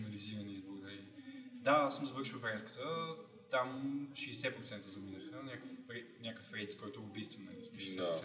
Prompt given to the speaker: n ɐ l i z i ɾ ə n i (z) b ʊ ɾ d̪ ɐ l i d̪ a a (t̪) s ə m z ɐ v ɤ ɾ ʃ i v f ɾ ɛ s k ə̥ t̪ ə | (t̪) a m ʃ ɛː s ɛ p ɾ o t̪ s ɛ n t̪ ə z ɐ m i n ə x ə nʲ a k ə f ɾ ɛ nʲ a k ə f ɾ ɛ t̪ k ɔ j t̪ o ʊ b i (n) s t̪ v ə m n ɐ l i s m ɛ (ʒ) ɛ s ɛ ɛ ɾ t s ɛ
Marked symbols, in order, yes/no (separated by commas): yes, no, yes, no, no